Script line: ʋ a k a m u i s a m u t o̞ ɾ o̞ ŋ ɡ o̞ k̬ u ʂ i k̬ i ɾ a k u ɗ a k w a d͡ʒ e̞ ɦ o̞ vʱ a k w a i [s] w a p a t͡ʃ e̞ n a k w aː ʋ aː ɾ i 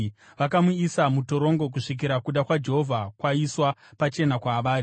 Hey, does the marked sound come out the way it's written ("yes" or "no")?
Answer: yes